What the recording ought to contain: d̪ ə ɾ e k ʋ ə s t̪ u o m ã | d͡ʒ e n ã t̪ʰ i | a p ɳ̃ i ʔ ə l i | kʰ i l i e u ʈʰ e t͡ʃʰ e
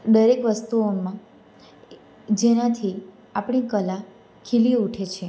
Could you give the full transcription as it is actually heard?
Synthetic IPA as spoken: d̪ ə ɾ e k ʋ ə s t̪ u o m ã | d͡ʒ e n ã t̪ʰ i | a p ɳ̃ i k ə l a | kʰ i l i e u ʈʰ e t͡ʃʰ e